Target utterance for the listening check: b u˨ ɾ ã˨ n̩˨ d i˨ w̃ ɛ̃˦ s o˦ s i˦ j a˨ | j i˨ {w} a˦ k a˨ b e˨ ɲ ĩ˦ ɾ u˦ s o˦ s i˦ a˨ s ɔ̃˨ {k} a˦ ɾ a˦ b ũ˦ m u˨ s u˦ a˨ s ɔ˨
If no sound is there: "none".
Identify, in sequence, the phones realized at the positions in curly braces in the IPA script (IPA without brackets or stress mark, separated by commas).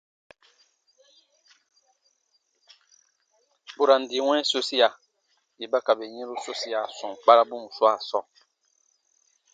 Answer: b, k͡p